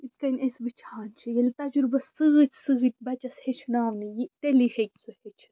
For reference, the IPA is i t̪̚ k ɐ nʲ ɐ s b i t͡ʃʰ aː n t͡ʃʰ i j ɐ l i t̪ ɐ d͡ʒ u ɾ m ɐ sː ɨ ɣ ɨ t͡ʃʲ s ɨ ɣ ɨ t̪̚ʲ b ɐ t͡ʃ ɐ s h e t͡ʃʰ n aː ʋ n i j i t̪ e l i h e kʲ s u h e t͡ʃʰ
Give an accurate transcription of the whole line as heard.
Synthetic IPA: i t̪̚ k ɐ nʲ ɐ s b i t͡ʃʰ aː n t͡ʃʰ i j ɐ l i t̪ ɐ d͡ʒ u ɾ b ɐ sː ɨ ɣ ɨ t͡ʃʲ s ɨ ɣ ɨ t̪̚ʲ b ɐ t͡ʃ ɐ s h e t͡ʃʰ n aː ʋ n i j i t̪ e l i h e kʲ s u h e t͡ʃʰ